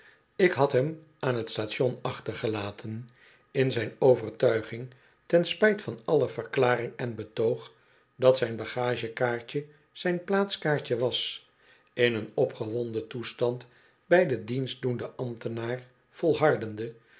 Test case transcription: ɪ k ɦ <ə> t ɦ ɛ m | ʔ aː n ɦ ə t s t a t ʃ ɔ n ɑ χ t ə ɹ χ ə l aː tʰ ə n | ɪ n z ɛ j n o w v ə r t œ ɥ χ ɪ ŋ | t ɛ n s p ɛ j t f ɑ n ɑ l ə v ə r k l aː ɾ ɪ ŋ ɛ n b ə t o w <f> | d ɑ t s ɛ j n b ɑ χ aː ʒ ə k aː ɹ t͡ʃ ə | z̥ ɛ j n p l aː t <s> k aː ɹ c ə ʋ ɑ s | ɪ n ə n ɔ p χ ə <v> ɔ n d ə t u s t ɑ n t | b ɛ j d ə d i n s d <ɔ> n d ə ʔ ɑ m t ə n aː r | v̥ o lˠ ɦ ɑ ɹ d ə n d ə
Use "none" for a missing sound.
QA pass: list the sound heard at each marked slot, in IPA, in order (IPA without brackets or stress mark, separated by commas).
ɑ, χ, s, ʋ, u